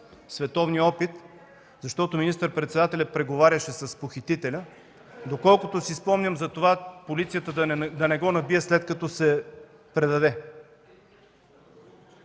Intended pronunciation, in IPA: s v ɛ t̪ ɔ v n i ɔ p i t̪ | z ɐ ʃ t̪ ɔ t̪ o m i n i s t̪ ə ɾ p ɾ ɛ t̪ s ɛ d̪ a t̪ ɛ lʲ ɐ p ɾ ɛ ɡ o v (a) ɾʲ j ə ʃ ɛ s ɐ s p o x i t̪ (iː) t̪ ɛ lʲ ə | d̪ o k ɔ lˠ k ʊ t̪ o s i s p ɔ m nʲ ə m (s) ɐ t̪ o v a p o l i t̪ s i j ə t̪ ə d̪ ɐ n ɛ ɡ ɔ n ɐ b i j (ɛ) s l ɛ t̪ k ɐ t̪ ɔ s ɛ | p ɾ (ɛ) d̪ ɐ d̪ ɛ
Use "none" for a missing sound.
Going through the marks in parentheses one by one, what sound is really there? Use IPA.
a, i, z, ɛ, ɛ

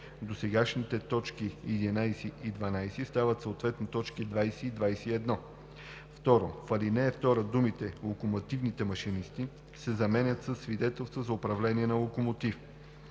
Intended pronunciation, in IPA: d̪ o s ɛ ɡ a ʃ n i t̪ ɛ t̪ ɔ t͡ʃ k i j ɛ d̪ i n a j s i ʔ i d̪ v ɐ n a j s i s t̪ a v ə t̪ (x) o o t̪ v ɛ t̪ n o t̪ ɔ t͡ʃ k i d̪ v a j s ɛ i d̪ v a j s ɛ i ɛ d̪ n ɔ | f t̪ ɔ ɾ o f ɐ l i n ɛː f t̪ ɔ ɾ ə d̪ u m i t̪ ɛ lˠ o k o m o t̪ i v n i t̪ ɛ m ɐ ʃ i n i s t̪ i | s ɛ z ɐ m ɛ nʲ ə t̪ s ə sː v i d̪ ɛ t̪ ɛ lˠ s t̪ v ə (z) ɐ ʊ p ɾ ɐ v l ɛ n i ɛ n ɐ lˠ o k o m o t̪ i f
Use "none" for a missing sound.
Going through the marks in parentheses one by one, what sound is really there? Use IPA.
s, z

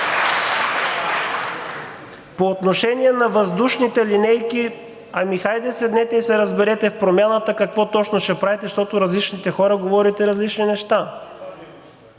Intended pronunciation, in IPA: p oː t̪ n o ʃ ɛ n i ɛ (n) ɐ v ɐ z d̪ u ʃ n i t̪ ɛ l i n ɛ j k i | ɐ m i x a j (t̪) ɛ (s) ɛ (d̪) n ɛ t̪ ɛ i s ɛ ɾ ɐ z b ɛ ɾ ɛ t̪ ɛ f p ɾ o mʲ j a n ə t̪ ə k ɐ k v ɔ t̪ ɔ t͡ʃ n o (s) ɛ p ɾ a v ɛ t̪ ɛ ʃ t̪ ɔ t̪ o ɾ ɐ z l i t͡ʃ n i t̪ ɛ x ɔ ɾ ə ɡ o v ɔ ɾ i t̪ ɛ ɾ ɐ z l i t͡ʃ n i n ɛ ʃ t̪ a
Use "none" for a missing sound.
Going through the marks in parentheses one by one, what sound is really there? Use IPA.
n, d̪, s, d̪, ʃ

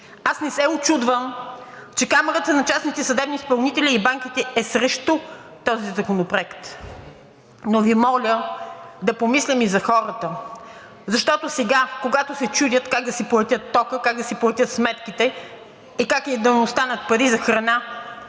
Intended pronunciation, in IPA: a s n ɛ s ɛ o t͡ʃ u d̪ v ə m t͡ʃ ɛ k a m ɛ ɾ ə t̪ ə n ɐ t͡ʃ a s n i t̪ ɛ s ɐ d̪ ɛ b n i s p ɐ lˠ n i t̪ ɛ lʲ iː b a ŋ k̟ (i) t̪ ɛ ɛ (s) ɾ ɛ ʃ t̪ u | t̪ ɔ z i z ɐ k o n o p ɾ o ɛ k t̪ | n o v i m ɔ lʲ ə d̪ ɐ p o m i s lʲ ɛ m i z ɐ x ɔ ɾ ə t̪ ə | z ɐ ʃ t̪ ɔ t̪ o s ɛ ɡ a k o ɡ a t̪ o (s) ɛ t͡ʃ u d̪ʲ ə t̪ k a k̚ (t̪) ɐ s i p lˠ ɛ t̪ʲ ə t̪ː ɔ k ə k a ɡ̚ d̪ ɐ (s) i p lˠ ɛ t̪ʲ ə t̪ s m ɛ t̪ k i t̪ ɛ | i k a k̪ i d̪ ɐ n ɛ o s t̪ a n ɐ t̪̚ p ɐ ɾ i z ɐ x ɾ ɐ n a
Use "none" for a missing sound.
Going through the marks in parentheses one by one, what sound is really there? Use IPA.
i, s, s, d̪, s

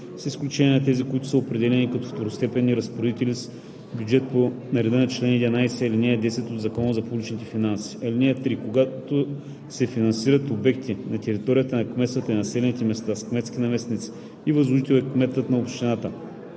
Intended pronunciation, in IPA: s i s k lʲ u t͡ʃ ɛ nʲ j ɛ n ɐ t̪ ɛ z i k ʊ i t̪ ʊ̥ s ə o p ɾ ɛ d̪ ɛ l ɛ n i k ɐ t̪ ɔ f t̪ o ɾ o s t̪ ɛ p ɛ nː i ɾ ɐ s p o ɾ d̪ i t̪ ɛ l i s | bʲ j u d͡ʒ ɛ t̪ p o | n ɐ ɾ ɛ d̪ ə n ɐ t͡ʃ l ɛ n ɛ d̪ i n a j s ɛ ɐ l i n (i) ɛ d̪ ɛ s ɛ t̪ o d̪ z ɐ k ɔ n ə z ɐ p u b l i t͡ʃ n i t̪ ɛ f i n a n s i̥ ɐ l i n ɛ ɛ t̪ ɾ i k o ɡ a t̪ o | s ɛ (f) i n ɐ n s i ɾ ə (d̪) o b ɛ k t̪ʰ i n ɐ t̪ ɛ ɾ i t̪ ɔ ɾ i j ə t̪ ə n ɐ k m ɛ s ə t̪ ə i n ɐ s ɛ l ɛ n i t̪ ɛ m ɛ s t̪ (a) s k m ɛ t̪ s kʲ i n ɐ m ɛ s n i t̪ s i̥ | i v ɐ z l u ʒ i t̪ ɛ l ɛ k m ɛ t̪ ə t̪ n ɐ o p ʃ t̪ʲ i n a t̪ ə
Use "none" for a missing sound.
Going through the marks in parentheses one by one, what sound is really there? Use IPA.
ɛ, f, t̪, a

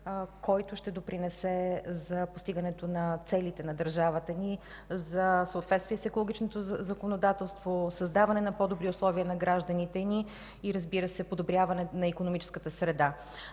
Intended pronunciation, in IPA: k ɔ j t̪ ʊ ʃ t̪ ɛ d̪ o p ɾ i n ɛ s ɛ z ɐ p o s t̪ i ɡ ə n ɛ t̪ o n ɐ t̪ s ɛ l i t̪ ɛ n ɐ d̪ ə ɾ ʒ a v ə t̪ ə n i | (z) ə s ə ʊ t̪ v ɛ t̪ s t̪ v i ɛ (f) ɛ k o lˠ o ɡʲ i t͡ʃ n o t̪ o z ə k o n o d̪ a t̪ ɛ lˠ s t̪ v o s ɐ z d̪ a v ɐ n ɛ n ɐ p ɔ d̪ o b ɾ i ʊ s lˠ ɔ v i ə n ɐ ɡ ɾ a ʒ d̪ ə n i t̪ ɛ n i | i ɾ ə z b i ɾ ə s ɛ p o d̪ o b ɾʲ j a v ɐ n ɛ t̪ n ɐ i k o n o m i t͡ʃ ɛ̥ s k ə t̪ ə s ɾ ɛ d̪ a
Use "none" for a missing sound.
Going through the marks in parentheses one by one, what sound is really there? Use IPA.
z, s

